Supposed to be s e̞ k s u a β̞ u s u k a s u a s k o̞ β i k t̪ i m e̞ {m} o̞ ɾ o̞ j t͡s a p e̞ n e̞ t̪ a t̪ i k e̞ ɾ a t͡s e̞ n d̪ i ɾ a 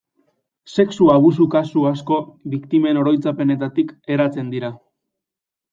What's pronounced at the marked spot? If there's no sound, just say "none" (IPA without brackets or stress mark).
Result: n